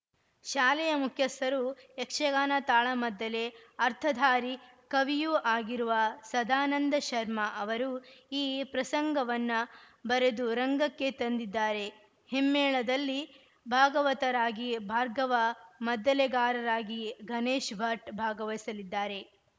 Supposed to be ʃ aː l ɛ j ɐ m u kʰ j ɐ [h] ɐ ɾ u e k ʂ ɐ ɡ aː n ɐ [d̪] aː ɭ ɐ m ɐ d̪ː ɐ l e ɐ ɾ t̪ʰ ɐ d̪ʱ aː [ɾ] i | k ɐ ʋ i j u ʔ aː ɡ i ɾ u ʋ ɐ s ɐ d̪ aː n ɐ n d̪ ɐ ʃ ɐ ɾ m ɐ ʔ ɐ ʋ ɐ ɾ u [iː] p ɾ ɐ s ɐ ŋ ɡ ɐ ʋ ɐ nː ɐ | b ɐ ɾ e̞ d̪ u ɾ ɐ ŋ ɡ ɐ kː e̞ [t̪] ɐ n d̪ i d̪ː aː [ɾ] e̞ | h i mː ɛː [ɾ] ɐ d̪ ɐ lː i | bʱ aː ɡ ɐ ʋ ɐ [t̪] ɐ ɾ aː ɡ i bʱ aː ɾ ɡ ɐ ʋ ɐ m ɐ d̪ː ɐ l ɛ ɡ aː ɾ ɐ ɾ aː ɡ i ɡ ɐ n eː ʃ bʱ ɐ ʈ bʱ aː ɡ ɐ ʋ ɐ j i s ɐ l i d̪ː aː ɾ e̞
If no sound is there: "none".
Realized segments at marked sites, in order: s, t̪, ɾ, iː, t̪, ɾ, ɭ, t̪

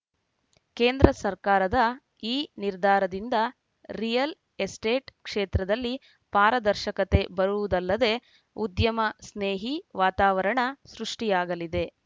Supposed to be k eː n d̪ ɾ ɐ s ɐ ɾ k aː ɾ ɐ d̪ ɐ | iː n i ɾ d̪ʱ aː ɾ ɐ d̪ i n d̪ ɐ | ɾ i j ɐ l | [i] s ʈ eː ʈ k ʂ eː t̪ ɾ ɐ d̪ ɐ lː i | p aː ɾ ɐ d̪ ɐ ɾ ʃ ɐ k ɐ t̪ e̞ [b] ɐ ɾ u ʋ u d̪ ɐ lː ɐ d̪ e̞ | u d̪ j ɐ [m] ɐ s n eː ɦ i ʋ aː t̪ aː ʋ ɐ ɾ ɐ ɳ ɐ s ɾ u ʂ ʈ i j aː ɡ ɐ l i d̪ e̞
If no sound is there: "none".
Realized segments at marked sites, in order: e, b, m

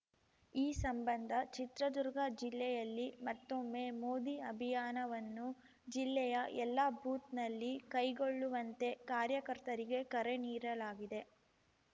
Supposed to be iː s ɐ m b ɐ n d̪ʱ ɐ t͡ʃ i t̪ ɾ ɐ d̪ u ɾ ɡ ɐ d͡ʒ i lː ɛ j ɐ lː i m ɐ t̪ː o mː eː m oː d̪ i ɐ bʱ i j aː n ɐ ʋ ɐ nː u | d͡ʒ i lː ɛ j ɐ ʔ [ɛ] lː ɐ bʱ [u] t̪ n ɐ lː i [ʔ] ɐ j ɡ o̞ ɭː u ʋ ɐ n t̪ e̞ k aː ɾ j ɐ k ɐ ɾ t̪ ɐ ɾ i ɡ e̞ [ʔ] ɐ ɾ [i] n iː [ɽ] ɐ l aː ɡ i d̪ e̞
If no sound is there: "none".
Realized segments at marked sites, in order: ɛ, uː, k, k, e, ɾ

